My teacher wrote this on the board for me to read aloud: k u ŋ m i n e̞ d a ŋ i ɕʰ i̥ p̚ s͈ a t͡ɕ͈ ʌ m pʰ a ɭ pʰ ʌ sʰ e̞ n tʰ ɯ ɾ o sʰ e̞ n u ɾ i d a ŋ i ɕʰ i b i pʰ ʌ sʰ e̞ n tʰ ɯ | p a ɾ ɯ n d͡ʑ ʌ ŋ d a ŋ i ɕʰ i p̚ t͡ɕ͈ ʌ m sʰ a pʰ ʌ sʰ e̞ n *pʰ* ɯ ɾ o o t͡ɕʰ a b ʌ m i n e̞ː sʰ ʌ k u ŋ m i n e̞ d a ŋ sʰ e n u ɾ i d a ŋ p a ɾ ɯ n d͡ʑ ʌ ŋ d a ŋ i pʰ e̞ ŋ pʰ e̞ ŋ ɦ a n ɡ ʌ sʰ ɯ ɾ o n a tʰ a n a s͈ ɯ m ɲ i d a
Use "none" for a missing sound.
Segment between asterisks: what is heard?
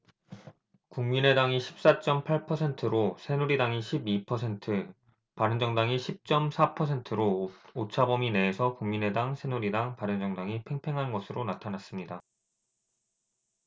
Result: tʰ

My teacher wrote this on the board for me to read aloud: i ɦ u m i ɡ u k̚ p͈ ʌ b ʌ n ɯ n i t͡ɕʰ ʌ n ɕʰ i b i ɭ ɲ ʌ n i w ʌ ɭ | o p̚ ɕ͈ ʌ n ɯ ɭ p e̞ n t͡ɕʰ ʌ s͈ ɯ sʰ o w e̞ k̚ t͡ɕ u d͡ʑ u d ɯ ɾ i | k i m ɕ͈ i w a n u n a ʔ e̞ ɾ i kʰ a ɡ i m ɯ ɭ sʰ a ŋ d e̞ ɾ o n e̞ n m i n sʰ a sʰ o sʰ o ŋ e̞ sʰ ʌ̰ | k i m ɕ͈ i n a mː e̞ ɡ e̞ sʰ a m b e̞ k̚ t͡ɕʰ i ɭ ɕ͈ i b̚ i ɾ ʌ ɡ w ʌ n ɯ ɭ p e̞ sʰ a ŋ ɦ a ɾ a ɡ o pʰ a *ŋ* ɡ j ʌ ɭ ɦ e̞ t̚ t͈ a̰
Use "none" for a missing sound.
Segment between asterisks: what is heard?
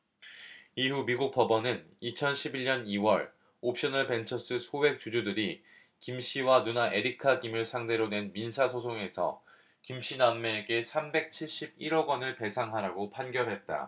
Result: n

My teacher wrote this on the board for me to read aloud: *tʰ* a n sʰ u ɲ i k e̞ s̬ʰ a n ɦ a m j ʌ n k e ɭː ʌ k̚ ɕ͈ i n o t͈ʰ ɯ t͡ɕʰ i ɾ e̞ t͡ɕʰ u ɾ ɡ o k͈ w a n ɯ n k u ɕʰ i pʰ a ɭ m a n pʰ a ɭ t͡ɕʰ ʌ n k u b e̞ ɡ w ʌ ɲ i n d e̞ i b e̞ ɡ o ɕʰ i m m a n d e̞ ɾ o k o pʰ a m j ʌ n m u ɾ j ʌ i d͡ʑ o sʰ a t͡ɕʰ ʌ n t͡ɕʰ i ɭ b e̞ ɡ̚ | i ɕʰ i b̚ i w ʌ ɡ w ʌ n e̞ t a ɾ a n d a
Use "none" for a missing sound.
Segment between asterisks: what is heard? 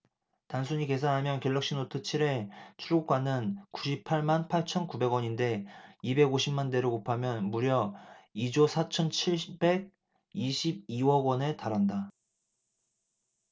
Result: t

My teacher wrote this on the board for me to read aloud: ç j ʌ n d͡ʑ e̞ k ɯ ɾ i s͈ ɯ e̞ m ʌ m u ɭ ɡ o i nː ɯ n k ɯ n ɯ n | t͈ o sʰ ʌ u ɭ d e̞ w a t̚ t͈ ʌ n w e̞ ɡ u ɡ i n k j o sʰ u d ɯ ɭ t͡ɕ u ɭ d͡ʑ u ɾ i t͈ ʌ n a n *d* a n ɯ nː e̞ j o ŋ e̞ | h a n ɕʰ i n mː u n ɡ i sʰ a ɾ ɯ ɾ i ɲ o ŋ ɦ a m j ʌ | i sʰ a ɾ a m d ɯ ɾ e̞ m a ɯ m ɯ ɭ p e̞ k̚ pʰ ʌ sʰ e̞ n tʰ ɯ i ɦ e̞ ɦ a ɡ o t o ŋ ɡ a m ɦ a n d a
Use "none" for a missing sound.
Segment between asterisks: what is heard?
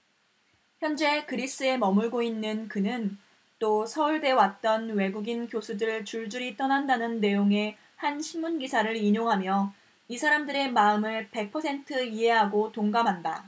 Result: d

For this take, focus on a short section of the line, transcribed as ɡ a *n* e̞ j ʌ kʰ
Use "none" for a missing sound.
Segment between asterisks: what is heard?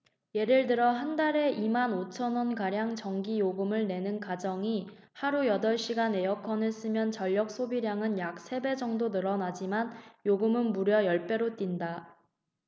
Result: n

